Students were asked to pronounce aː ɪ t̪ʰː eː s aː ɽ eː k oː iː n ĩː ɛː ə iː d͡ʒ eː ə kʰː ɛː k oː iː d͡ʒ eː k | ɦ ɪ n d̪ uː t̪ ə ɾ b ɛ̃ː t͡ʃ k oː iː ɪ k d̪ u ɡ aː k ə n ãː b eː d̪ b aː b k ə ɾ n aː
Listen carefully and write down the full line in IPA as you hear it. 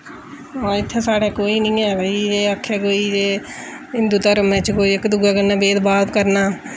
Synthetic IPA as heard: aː ɪ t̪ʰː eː s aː ɽ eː k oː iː n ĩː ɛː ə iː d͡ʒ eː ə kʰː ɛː k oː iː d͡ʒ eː | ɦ ɪ n d̪ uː t̪ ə ɾ m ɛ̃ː t͡ʃ k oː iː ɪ k d̪ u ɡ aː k ə n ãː b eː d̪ b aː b k ə ɾ n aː